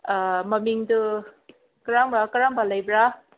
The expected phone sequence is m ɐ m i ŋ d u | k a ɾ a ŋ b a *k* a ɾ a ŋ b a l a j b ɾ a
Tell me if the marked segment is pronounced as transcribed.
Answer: yes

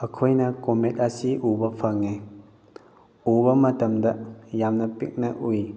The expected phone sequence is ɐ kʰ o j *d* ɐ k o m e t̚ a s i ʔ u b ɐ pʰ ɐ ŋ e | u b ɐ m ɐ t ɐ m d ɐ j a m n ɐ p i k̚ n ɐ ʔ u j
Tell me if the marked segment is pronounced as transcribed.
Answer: no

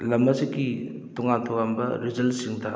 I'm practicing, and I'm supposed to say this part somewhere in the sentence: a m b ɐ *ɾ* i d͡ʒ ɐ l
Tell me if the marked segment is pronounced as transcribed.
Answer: yes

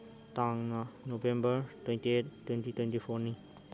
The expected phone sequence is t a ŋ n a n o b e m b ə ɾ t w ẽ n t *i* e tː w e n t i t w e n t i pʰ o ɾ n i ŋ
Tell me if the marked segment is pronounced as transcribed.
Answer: yes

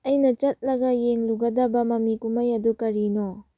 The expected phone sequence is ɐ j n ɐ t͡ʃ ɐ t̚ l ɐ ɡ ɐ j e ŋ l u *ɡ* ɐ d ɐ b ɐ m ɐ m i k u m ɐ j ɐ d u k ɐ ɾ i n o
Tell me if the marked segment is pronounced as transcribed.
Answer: yes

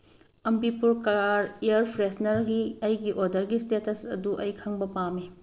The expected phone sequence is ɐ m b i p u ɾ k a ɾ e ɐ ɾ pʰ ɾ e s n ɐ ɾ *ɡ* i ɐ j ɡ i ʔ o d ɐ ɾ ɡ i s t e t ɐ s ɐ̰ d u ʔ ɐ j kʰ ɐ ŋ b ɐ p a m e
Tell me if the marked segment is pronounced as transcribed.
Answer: yes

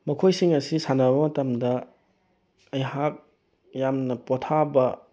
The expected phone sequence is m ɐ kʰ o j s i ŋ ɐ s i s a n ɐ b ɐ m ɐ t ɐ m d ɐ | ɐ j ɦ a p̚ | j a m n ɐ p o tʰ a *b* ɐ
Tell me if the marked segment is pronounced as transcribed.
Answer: yes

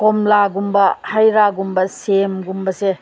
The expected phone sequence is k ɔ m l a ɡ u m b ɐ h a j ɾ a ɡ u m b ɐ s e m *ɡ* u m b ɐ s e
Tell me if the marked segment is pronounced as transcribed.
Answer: yes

